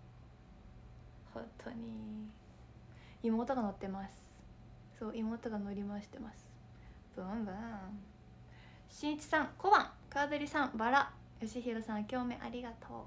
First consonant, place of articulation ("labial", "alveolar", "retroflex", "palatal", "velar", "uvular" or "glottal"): glottal